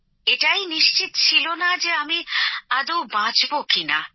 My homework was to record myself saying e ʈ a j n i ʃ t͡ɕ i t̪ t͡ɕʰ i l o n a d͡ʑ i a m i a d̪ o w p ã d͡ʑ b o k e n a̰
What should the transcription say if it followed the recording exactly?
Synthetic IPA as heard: e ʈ a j n i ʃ t͡ɕ i t̪ t͡ɕʰ i l o n a d͡ʑ e a m i a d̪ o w b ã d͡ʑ b o k i n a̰